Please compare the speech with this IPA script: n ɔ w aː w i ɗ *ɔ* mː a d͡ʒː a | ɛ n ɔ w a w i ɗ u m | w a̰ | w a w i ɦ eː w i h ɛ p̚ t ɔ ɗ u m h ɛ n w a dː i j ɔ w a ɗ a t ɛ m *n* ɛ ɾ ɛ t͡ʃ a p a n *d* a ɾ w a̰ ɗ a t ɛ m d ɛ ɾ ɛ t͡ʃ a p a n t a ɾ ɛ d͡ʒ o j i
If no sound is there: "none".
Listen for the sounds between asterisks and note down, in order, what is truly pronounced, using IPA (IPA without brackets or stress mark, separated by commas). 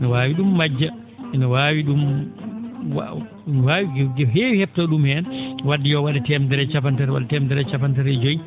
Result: u, d, t